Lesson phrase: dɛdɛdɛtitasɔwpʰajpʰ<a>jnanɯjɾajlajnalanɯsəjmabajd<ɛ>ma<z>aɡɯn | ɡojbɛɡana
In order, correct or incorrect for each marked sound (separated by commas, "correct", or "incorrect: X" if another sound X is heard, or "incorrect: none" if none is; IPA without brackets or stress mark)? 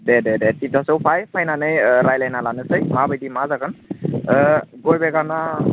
correct, incorrect: i, correct